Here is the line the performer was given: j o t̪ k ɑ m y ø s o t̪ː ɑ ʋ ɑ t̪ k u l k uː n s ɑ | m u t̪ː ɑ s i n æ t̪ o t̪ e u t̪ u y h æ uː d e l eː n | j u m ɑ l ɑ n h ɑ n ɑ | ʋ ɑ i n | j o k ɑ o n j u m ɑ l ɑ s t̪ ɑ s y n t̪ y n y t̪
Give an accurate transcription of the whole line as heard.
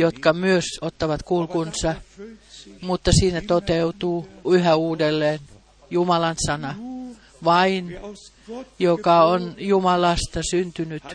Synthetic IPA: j o t̪ k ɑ m y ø s o t̪ː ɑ ʋ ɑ t̪ k u l k u n s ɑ | m u t̪ː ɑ s iː n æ t̪ o t̪ e u t̪ uː y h æ uː d e lː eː n | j u m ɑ l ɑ n s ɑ n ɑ | ʋ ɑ i n | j o k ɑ o n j u m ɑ l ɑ s t̪ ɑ s y n t̪ y n y t̪